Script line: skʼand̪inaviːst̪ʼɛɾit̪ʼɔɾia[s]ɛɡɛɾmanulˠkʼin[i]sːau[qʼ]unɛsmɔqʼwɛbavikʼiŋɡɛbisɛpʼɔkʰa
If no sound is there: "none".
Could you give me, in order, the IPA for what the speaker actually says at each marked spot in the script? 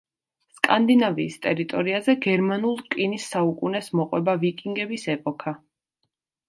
z, i, kʼ

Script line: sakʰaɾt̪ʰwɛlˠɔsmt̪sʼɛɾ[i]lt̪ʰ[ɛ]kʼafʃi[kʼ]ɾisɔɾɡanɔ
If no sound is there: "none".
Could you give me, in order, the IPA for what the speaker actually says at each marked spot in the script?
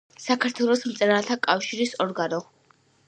a, a, none

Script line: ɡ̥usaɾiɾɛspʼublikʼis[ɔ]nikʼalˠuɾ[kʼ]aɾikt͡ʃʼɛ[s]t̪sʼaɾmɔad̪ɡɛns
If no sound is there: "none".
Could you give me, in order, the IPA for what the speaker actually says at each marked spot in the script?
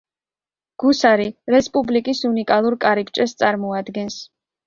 u, kʼ, s

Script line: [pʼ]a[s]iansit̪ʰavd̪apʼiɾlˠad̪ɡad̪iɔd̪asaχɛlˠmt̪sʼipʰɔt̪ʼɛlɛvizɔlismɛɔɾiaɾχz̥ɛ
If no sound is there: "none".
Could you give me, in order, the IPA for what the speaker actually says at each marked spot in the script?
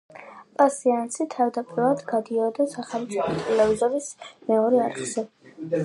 pʼ, s

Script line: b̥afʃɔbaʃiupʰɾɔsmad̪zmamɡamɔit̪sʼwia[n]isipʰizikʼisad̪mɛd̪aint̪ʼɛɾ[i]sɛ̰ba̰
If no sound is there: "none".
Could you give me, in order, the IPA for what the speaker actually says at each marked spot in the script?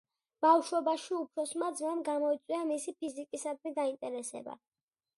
m, ɛ

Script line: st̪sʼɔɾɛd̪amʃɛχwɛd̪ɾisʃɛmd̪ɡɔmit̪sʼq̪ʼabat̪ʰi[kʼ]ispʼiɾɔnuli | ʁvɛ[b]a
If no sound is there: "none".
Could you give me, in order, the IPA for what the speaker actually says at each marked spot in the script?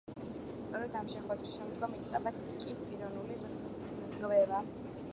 kʼ, v

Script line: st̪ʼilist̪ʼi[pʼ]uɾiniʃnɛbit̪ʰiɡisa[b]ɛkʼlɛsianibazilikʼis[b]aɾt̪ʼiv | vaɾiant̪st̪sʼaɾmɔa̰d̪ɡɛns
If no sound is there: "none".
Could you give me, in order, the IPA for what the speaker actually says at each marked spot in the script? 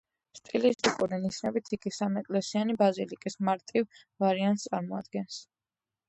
kʼ, m, m

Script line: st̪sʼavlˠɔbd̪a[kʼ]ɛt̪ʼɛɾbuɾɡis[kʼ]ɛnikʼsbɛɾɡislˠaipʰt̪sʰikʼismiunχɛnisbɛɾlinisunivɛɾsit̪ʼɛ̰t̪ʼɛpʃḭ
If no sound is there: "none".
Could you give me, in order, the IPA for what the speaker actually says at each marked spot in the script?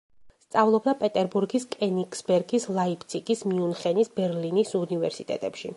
pʼ, kʼ

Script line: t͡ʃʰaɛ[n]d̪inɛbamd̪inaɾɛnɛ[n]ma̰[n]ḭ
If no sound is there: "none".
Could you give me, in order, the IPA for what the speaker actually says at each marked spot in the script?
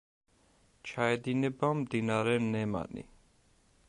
none, none, n

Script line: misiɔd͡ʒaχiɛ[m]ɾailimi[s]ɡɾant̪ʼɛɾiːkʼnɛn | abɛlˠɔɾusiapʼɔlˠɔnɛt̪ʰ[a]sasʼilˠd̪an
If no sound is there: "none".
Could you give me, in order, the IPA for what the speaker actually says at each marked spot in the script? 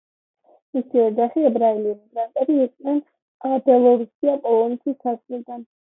b, none, i

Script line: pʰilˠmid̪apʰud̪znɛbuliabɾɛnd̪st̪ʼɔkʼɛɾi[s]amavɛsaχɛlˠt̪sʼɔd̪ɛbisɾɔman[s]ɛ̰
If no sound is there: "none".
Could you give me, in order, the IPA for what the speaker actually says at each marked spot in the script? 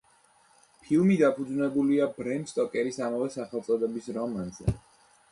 s, z

